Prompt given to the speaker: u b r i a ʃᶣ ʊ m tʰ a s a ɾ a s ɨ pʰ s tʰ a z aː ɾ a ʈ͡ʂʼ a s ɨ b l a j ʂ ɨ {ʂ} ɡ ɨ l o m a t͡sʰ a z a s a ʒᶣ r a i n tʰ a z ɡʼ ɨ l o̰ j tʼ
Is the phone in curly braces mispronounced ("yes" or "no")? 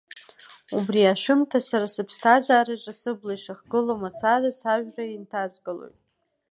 yes